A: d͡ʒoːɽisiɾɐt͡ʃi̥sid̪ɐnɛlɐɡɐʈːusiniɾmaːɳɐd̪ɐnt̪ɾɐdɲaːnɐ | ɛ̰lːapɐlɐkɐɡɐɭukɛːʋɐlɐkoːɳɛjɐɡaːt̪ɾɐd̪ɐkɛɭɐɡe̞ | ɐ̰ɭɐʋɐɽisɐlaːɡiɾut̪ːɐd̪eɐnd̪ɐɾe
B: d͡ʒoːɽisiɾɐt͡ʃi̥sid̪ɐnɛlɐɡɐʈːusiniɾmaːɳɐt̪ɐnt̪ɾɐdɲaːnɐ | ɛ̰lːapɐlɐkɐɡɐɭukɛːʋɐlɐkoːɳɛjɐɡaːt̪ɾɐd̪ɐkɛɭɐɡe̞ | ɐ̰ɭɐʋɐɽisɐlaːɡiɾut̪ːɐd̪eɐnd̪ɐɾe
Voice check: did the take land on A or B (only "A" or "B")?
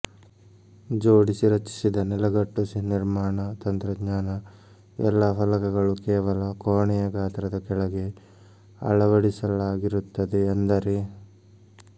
B